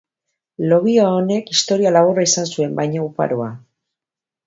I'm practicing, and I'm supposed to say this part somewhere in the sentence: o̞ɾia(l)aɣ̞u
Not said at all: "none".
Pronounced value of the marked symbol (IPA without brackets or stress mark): l